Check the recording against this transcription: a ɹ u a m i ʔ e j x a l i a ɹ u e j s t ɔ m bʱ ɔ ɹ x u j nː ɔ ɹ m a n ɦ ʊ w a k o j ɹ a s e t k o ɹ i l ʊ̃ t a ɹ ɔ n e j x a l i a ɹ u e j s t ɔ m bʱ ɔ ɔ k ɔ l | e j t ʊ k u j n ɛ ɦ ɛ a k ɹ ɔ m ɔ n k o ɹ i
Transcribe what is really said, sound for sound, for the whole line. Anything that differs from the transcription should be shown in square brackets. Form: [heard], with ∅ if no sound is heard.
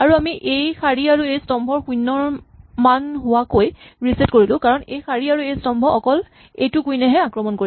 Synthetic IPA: a ɹ u a m i ʔ e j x a [ɹ] i a ɹ u e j s t ɔ m bʱ ɔ ɹ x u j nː ɔ ɹ m a n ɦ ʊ w a k o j ɹ [i] s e t k o ɹ i l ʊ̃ [k] a ɹ ɔ n e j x a [ɹ] i a ɹ u e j s t ɔ m bʱ ɔ ɔ k ɔ l | e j t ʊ k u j n ɛ ɦ ɛ a k ɹ ɔ m ɔ n k o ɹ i